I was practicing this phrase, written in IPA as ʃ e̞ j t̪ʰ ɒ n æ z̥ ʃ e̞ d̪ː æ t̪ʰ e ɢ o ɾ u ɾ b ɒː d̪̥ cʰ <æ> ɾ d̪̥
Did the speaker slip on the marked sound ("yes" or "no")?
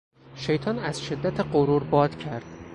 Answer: no